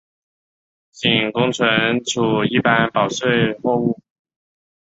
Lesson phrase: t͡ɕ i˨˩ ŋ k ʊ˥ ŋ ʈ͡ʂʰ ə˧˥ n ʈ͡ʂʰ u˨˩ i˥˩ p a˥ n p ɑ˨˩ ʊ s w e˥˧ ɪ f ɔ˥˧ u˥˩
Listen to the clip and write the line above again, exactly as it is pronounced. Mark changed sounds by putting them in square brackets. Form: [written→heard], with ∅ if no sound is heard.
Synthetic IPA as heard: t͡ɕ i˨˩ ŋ k ʊ˥ ŋ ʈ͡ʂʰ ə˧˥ n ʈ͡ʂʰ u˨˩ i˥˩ p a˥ n p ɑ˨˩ ʊ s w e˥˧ ɪ [f→x] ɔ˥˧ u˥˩